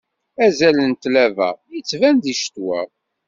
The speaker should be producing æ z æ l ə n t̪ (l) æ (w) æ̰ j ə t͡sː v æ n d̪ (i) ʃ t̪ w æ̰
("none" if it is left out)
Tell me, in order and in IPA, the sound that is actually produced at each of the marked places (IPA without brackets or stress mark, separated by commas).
l, v, i